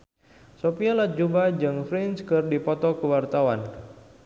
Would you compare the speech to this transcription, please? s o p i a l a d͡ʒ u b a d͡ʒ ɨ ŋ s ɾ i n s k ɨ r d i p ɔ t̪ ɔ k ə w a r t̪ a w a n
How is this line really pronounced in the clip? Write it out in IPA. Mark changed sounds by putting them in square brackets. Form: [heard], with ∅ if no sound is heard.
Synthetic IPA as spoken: s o p i a l a d͡ʒ u b a d͡ʒ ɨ ŋ [f] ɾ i n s k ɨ r d i p ɔ t̪ ɔ k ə w a r t̪ a w a n